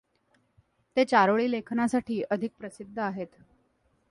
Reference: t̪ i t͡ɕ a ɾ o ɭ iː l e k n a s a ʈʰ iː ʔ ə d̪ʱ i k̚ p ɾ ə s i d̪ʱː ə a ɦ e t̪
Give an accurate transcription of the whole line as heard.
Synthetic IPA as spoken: t̪ e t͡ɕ a ɾ o ɭ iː l e kʰ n a s a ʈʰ iː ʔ ə d̪ʱ i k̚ p ɾ ə s i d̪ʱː ə a ɦ e t̪